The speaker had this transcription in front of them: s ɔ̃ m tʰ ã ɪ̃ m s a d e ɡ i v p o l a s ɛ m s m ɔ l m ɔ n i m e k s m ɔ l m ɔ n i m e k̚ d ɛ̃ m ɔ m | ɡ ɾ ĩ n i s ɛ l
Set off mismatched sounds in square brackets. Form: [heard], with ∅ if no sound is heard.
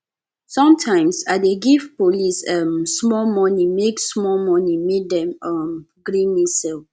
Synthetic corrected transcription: s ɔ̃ m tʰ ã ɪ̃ m s a d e ɡ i [f] p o l [i] s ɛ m s m ɔ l m ɔ n i m e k s m ɔ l m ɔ n i m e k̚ d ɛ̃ m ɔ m | ɡ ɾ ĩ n i s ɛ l

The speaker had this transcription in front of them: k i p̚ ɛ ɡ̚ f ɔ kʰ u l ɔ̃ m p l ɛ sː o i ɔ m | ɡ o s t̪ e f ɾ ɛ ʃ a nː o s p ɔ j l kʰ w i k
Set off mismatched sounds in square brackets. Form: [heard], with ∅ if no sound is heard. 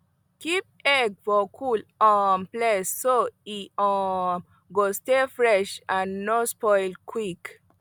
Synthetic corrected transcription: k i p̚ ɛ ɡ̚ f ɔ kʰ u l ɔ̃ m p l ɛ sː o i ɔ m | ɡ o s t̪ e f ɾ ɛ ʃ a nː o s p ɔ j l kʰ w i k

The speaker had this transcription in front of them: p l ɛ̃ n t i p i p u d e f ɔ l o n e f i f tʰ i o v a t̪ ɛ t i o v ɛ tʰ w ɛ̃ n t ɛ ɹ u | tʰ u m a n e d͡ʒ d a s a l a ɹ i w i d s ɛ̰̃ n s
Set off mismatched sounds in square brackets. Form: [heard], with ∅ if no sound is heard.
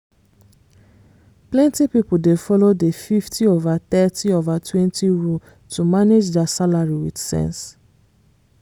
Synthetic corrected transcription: p l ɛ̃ n t i p i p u d e f ɔ l o [d] e f i f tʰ i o v a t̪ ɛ t i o v [a] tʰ w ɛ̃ n t [i] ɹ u | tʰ u m a n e d͡ʒ d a s a l a ɹ i w i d s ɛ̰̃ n s

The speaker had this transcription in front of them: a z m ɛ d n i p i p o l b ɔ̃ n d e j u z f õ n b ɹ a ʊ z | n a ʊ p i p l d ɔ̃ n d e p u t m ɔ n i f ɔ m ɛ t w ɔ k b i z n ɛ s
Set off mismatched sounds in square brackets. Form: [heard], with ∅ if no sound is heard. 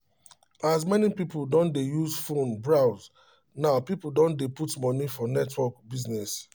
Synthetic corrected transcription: a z m ɛ [∅] n i p i p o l [d] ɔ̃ n d e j u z f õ n b ɹ a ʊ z | n a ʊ p i p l d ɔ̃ n d e p u t m ɔ n i f ɔ [n] ɛ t w ɔ k b i z n ɛ s

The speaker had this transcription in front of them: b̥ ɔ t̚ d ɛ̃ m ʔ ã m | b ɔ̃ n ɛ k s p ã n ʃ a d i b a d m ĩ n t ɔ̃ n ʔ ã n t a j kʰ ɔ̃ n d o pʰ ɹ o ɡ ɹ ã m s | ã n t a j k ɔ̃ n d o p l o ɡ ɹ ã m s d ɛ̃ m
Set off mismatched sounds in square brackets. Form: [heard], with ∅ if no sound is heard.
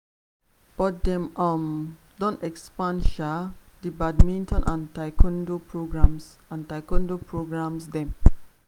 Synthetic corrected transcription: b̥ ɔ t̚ d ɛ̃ m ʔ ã m | [d] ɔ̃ n ɛ k s p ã n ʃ a d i b a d m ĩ n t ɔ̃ n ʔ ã n t a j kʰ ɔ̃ n d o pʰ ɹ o ɡ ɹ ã m s | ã n t a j k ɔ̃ n d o p [ɹ] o ɡ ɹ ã m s d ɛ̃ m

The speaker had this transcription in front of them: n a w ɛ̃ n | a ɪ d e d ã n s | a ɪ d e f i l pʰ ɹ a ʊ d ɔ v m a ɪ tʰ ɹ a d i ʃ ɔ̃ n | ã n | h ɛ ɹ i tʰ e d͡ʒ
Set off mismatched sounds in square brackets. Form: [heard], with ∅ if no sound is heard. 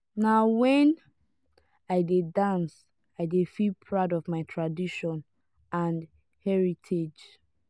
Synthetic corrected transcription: n a w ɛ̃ n | a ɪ d e d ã n s | a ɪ d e f i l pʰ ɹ a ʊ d ɔ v m a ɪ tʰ ɹ a d i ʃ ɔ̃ n | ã n | h ɛ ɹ i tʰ e d͡ʒ

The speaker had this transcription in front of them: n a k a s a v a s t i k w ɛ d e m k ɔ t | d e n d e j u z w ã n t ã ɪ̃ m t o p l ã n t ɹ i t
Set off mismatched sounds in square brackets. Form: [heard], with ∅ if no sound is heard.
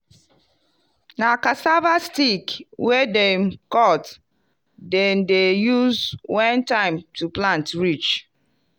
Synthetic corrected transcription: n a k a s a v a s t i k w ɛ d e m k ɔ t | d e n d e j u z w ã n t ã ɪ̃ m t [u] p l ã n t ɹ i [t͡ʃ]

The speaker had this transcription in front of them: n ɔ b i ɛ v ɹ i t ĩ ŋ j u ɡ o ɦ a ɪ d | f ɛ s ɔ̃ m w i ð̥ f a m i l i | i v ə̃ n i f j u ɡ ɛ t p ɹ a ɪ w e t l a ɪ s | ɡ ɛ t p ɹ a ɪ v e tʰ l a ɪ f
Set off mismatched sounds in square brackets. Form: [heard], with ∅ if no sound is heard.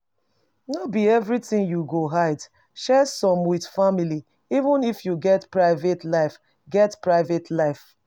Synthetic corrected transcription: n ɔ b i ɛ v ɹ i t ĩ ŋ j u ɡ o ɦ a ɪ d | [ʃ] ɛ s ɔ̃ m w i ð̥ f a m i l i | i v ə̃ n i f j u ɡ ɛ t p ɹ a ɪ [v] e t l a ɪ [f] | ɡ ɛ t p ɹ a ɪ v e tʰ l a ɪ f

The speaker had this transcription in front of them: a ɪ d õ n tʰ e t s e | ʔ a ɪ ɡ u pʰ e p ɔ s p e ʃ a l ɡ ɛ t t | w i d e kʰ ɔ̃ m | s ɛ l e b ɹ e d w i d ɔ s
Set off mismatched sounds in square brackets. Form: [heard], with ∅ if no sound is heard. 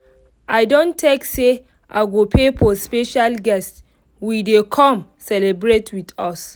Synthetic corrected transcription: a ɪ d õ n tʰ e [k] s e | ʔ a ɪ ɡ [o] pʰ e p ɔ s p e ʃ a l ɡ ɛ [s] t | w i d e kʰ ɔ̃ m | s ɛ l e b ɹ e [t] w i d ɔ s

